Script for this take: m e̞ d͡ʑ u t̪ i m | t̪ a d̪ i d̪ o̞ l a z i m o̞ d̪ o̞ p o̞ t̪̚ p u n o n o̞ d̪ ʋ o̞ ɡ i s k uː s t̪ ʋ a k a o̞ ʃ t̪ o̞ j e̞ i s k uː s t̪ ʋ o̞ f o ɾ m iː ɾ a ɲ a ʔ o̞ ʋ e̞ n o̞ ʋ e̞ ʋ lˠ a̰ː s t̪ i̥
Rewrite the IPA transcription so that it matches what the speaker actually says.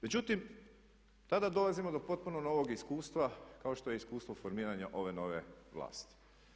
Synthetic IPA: m e̞ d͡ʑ u t̪ i m | t̪ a d̪ a d̪ o̞ l a z i m o̞ d̪ o̞ p o̞ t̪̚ p u n o n o̞ ʋ o̞ ɡ i s k uː s t̪ ʋ a k a o̞ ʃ t̪ o̞ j e̞ i s k uː s t̪ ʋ o̞ f o ɾ m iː ɾ a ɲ a ʔ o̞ ʋ e̞ n o̞ ʋ e̞ ʋ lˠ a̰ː s t̪ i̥